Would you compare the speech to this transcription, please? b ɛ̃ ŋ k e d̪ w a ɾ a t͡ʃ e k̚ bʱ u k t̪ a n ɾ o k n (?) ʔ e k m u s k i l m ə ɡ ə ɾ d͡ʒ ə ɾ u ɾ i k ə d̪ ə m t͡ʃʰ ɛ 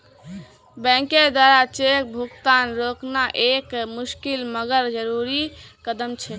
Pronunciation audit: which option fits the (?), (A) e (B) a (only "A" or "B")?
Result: B